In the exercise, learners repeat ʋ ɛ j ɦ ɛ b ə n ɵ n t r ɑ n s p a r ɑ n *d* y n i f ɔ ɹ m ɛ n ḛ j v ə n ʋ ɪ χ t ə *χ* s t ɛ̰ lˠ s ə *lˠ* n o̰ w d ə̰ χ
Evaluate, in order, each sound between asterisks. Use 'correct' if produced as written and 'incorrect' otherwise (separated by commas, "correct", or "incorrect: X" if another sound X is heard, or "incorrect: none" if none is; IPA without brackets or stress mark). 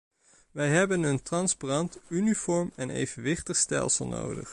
incorrect: t, correct, correct